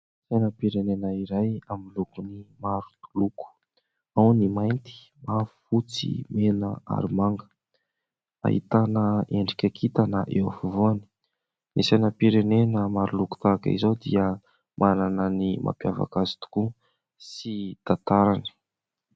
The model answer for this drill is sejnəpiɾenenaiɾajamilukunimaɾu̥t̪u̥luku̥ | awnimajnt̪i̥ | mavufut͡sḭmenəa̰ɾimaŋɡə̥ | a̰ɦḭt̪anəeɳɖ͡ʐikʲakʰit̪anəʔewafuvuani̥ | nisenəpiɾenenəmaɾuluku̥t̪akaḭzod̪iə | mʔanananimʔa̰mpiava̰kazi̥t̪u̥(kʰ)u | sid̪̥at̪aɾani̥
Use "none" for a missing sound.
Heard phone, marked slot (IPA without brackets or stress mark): k